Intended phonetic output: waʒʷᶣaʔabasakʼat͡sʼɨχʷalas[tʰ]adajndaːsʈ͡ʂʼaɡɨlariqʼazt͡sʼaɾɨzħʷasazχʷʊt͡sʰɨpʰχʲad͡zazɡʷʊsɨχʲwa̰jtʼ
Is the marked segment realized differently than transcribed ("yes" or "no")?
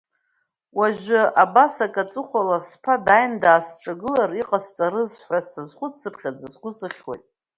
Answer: yes